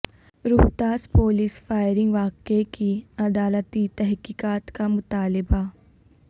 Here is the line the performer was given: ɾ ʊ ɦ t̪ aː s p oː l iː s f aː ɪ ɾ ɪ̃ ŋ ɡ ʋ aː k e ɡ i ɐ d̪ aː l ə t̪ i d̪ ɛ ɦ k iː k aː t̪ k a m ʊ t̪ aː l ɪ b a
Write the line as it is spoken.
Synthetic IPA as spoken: ɾ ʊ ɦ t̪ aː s p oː l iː s f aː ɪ ɾ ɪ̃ ŋ ɡ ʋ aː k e k i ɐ d̪ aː l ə t̪ i t̪ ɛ ɦ k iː k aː t̪ k a m ʊ t̪ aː l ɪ b a